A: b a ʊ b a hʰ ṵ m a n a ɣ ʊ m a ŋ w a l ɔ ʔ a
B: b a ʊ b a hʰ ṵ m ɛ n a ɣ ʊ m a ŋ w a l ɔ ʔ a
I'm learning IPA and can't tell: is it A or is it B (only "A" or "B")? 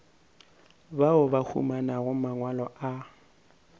A